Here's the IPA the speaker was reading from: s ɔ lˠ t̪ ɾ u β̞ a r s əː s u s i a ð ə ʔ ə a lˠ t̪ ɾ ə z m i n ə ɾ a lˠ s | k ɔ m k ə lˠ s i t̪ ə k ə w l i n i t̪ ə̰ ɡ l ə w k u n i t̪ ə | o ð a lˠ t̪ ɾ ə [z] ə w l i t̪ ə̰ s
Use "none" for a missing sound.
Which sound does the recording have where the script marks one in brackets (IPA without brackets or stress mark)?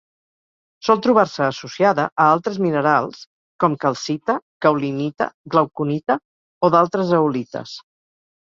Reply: z